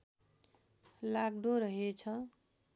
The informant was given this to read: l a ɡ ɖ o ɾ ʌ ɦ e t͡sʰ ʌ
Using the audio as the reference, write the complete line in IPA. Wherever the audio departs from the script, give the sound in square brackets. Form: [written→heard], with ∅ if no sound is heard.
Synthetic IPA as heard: l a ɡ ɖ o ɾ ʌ ɦ e t͡sʰ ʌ